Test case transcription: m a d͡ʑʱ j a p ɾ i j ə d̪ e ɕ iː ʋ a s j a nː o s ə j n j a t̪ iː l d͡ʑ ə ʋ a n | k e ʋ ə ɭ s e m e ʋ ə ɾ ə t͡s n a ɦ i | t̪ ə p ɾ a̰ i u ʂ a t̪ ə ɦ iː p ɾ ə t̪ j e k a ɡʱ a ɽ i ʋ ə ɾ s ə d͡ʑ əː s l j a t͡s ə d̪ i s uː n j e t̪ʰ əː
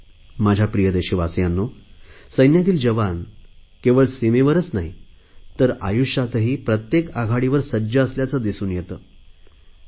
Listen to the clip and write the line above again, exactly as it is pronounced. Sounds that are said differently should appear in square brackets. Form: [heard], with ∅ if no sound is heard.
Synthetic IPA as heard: m a d͡ʑʱ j a p ɾ i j ə d̪ e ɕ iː ʋ a s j a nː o s ə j n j a t̪ iː l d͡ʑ ə ʋ a n | k e ʋ ə ɭ s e m e ʋ ə ɾ ə t͡s n a ɦ i | t̪ ə [∅] ɾ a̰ [j] u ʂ a t̪ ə ɦ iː p ɾ ə t̪ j e k a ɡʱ a ɽ i ʋ ə ɾ s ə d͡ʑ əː s l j a t͡s ə d̪ i s uː n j e [t̪] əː